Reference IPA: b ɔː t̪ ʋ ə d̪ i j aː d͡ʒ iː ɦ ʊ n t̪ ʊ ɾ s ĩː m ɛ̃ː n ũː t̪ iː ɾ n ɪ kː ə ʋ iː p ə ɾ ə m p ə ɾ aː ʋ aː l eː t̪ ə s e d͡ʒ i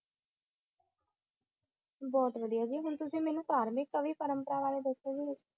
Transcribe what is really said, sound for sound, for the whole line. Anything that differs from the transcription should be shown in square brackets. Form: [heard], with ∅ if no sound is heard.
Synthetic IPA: b ɔː t̪ ʋ ə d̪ i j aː d͡ʒ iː ɦ ʊ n t̪ ʊ [∅] s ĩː m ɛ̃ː n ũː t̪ [aː] ɾ [m] ɪ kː ə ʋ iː p ə ɾ ə m p ə ɾ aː ʋ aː l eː [d̪] ə s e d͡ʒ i